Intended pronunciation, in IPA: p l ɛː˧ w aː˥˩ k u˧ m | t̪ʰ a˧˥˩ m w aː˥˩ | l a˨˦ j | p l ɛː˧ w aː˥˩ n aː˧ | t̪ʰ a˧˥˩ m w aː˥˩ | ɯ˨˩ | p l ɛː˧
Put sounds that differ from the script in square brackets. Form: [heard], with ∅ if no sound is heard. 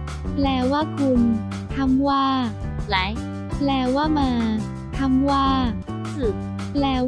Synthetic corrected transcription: p l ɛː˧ w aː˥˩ [kʰ] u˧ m | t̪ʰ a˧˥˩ m w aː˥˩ | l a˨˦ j | p l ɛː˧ w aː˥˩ [m] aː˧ | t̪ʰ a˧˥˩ m w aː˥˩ | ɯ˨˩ | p l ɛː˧